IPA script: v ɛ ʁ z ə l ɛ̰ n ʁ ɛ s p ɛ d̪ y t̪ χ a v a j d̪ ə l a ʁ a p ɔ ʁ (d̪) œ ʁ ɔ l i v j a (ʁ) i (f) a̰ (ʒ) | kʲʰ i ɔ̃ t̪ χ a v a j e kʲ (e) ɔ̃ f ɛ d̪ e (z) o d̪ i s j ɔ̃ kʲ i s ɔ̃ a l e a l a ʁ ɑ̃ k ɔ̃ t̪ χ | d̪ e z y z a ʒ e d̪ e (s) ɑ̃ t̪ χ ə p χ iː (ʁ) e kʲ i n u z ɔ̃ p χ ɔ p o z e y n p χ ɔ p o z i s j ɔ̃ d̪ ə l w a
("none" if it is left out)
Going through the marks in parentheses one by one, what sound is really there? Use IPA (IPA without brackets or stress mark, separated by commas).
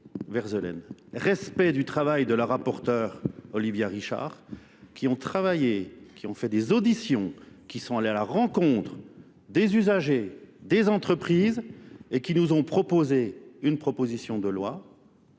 t̪, ʁ, ʃ, ʁ, i, z, z, z